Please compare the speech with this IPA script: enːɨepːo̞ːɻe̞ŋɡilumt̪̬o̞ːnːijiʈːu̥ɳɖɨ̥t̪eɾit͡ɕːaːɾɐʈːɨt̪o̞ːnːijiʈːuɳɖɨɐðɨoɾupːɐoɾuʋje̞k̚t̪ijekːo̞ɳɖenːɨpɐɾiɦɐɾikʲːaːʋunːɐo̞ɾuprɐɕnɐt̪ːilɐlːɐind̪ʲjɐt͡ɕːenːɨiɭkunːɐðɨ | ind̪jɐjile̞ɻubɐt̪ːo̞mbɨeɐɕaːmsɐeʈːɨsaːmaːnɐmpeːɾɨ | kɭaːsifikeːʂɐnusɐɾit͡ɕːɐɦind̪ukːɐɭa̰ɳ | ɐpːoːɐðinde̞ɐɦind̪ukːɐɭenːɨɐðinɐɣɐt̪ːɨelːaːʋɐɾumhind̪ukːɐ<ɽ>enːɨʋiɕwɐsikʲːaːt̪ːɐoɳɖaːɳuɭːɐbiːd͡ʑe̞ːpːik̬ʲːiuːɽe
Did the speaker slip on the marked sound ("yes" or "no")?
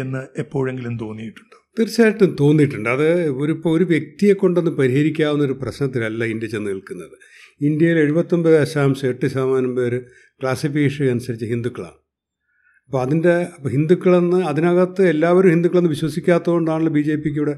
yes